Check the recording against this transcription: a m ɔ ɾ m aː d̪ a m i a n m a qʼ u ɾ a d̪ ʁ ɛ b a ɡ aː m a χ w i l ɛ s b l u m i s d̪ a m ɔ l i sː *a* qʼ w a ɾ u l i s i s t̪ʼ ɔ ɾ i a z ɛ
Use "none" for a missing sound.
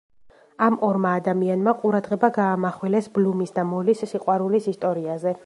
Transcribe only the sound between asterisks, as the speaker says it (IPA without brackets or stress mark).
i